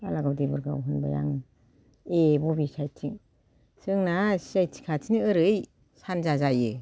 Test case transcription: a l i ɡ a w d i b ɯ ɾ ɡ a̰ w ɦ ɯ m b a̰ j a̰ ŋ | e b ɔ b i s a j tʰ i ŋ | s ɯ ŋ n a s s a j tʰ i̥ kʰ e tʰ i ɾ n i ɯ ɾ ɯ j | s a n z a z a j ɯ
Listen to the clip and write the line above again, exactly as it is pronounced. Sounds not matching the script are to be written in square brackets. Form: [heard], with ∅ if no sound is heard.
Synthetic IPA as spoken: a l [a] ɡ a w d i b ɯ ɾ ɡ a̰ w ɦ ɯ [n] b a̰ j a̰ ŋ | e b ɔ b i s a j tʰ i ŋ | s ɯ ŋ n a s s a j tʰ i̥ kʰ [a] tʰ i [∅] n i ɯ ɾ ɯ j | s a n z a z a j ɯ